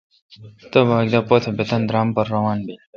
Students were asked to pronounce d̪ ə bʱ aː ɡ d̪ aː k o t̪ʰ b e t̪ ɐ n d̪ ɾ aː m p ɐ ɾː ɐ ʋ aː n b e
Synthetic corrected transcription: t̪ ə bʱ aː ɡ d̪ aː p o t̪ʰ b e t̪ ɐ n d̪ ɾ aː m p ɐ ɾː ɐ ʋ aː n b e